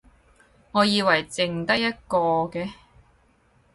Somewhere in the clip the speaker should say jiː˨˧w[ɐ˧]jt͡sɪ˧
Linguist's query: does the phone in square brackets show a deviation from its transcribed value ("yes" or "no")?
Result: yes